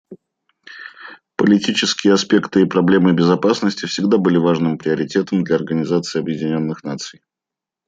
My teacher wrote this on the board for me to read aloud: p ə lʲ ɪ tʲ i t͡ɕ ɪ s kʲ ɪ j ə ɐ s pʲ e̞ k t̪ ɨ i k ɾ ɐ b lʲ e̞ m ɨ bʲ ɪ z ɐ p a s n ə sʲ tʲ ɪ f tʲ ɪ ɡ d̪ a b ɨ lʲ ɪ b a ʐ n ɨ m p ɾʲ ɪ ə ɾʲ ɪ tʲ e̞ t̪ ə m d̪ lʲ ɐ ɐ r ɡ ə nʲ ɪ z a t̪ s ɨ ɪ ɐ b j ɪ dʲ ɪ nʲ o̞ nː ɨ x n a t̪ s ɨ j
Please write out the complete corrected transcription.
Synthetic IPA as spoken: p ə lʲ ɪ tʲ i t͡ɕ ɪ s kʲ ɪ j ə ɐ s pʲ e̞ k t̪ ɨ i p ɾ ɐ b lʲ e̞ m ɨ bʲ ɪ z ɐ p a s n ə sʲ tʲ ɪ f sʲ ɪ ɡ d̪ a b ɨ lʲ ɪ v a ʐ n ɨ m p ɾʲ ɪ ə ɾʲ ɪ tʲ e̞ t̪ ə m d̪ lʲ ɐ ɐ r ɡ ə nʲ ɪ z a t̪ s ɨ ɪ ɐ b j ɪ dʲ ɪ nʲ o̞ nː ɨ x n a t̪ s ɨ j